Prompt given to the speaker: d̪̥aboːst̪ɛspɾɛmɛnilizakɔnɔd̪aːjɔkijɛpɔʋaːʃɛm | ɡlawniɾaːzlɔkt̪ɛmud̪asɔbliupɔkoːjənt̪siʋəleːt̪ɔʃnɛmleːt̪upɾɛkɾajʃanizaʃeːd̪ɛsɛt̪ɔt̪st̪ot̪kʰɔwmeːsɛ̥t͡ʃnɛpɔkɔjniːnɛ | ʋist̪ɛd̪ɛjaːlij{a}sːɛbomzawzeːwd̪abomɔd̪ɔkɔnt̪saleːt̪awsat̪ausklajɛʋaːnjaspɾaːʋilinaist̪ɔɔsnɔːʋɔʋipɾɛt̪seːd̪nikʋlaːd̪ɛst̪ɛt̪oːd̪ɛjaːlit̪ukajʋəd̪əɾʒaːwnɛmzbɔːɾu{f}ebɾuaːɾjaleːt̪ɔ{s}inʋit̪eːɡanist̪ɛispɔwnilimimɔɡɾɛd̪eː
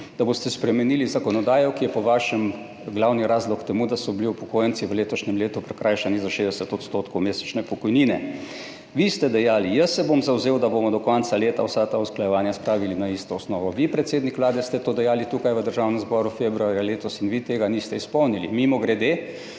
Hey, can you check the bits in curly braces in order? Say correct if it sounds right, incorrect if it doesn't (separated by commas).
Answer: incorrect, correct, correct